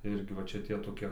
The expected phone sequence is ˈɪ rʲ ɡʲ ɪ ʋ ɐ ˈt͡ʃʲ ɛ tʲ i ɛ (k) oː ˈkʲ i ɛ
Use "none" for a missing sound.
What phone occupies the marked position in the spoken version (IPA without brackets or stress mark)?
t